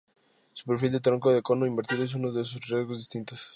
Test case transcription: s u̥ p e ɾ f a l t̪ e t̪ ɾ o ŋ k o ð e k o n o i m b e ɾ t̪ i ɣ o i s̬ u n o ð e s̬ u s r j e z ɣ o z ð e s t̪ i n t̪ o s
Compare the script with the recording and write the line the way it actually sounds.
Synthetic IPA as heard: s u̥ p e ɾ f i l d̪ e t̪ ɾ o ŋ k o ð e k o n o i m b e ɾ t̪ i ð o e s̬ u n o ð e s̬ u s r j e z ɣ o z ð i s t̪ i n t̪ o s